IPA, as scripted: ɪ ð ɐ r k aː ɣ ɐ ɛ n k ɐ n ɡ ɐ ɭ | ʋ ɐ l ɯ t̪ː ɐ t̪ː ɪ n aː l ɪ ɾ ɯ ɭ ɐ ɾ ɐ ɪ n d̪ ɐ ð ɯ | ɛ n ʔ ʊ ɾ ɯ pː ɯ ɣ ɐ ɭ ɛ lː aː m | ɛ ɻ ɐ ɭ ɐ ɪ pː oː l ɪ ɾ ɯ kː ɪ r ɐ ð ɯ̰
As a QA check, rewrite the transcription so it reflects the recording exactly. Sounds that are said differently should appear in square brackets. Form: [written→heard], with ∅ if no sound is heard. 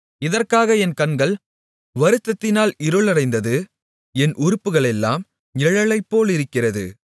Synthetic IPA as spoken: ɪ ð ɐ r k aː ɣ ɐ ɛ n k ɐ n ɡ ɐ ɭ | ʋ ɐ [l→ɾ] ɯ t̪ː ɐ t̪ː ɪ n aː l ɪ ɾ ɯ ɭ ɐ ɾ ɐ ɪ n d̪ ɐ ð ɯ | ɛ n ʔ ʊ ɾ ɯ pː ɯ ɣ ɐ ɭ ɛ lː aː m | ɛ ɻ ɐ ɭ ɐ ɪ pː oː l ɪ ɾ ɯ kː ɪ r ɐ ð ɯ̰

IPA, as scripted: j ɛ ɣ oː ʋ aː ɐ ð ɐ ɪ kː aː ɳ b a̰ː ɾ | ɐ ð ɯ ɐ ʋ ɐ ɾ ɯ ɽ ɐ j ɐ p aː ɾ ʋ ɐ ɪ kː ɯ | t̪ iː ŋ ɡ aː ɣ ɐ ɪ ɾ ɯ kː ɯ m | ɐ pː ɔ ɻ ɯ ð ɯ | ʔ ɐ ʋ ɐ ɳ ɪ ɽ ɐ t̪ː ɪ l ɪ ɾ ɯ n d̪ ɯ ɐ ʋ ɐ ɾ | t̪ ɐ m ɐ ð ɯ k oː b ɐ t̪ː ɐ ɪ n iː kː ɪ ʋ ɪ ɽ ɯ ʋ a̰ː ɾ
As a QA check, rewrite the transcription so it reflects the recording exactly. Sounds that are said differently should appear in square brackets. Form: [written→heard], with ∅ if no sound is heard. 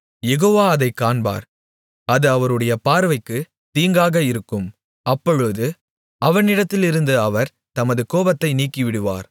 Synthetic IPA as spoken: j ɛ ɣ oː ʋ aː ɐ ð ɐ ɪ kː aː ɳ b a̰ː ɾ | ɐ ð ɯ ɐ ʋ ɐ ɾ ɯ ɽ ɐ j ɐ p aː ɾ ʋ ɐ ɪ kː ɯ | t̪ iː ŋ ɡ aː ɣ ɐ ɪ ɾ ɯ kː ɯ m | ɐ pː ɔ ɻ ɯ ð ɯ | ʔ ɐ ʋ ɐ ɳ ɪ ɽ ɐ t̪ː ɪ l ɪ ɾ ɯ n d̪ ɯ ɐ ʋ ɐ ɾ | t̪ ɐ m ɐ ð ɯ k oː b ɐ t̪ː ɐ ɪ n iː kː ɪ ʋ ɪ ɽ ɯ ʋ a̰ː ɾ

